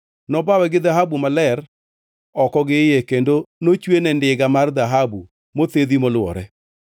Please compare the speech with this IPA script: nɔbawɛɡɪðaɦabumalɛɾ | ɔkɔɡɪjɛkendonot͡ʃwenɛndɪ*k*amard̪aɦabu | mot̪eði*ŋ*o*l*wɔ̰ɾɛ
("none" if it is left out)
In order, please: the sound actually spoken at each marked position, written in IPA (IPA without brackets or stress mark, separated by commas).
ɡ, m, l